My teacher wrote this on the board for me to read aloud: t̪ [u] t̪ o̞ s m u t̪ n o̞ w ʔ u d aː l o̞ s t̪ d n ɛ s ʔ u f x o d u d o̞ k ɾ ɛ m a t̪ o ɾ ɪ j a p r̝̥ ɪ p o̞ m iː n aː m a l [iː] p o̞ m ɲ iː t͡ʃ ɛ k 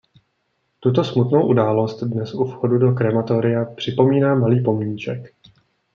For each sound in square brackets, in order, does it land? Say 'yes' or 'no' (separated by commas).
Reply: yes, yes